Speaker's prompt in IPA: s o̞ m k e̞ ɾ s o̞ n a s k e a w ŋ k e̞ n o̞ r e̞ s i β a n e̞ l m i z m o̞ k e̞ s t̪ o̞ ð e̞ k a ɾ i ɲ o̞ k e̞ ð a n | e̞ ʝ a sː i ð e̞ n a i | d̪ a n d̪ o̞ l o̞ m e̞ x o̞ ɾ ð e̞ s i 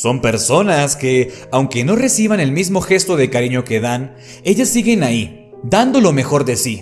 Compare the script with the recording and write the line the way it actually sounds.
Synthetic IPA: s o̞ m p e̞ ɾ s o̞ n a s k e a w ŋ k e̞ n o̞ r e̞ s i β a n e̞ l m i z m o̞ x e̞ s t̪ o̞ ð e̞ k a ɾ i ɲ o̞ k e̞ ð a n | e̞ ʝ a sː i ɣ e̞ n a i | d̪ a n d̪ o̞ l o̞ m e̞ x o̞ ɾ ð e̞ s i

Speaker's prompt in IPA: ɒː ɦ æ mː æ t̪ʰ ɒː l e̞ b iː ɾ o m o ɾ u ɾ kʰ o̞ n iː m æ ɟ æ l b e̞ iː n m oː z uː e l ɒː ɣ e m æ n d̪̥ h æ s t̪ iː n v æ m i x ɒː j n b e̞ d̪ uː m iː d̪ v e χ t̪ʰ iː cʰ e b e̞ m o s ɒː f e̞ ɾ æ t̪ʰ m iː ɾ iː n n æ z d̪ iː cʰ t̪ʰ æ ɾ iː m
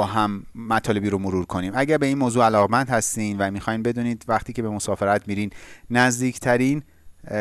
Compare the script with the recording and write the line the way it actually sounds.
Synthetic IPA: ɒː ɦ æ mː æ t̪ʰ ɒː l e̞ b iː ɾ o m o ɾ u ɾ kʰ o̞ n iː m æ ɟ æ ɾ b e̞ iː n m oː z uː æ l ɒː ɣ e m æ n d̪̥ h æ s t̪ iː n v æ m i x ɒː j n b e̞ d̪ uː n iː d̪ v æ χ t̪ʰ iː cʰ e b e̞ m o s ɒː f e̞ ɾ æ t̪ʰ m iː ɾ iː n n æ z d̪ iː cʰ t̪ʰ æ ɾ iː n

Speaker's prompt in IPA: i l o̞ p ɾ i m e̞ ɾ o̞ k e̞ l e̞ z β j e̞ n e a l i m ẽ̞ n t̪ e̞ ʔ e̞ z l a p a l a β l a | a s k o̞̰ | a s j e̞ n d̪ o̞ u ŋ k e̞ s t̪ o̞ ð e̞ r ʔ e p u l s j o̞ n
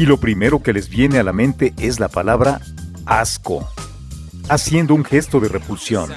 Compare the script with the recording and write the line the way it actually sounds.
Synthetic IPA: i l o̞ p ɾ i m e̞ ɾ o̞ k e̞ l e̞ z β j e̞ n e a l a m ẽ̞ n t̪ e̞ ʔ e̞ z l a p a l a β ɾ a | a s k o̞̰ | a s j e̞ n d̪ o̞ u ŋ x e̞ s t̪ o̞ ð e̞ r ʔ e p u l s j o̞ n

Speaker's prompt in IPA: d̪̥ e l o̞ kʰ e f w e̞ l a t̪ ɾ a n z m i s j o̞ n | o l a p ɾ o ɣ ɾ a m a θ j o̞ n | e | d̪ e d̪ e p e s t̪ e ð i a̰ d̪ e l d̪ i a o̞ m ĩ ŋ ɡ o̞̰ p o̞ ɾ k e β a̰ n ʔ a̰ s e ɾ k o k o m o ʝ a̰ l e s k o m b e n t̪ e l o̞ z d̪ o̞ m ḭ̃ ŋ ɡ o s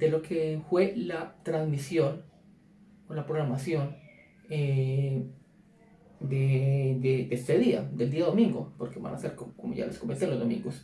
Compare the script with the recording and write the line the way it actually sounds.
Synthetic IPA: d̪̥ e l o̞ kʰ e f w e̞ l a t̪ ɾ a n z m i s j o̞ n | o l a p ɾ o ɣ ɾ a m a s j o̞ n | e | d̪ e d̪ e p e s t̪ e ð i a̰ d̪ e l d̪ i a o̞ m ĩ ŋ ɡ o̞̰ p o̞ ɾ k e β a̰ n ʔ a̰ s e ɾ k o k o m o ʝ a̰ l e s k o m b e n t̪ e l o̞ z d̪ o̞ m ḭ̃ ŋ ɡ o s

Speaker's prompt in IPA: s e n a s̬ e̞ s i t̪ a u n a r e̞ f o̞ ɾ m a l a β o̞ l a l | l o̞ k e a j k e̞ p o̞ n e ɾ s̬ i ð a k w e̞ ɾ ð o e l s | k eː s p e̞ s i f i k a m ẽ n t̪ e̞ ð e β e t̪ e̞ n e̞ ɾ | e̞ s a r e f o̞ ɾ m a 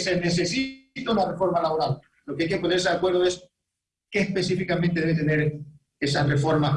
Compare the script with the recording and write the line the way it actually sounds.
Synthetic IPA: s e n e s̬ e̞ s i t̪ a u n a r e̞ f o̞ ɾ m a l a β o̞ ɾ a l | l o̞ k e a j k e̞ p o̞ n e ɾ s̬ e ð a k w e̞ ɾ ð o e s | k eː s p e̞ s i f i k a m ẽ n t̪ e̞ ð e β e t̪ e̞ n e̞ ɾ | e̞ s a r e f o̞ ɾ m a

